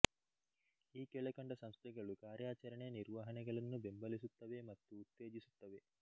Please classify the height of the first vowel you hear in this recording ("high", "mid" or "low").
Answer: high